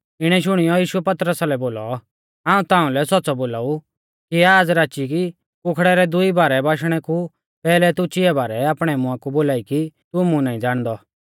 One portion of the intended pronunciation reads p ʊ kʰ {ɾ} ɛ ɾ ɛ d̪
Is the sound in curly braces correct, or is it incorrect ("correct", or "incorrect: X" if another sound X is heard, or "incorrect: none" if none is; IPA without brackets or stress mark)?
incorrect: ɽ